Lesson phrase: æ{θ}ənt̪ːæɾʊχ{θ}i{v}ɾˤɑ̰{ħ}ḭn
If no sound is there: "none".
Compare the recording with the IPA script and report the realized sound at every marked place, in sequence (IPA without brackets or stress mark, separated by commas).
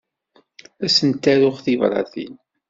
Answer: s, θ, v, θ